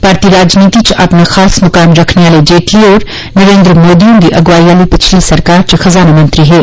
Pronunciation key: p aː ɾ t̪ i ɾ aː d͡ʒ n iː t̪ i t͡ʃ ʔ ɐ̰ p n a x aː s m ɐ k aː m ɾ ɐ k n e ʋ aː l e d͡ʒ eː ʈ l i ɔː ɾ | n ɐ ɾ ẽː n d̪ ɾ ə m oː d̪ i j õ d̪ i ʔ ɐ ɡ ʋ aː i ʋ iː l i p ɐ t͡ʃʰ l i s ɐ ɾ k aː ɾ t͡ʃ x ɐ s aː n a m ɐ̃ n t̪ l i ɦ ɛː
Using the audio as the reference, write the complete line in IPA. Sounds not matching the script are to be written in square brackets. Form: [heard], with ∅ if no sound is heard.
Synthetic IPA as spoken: p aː ɾ t̪ i ɾ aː d͡ʒ n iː t̪ i t͡ʃ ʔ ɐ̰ p n a x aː s m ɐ k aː m ɾ ɐ [kʰ] n e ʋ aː l e d͡ʒ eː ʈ l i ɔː ɾ | n ɐ ɾ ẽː n d̪ ɾ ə m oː d̪ i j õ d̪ i ʔ ɐ ɡ ʋ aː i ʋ [aː] l i p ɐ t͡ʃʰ l i s ɐ ɾ k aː ɾ t͡ʃ x ɐ [z] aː n a m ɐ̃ n t̪ [ɾ] i ɦ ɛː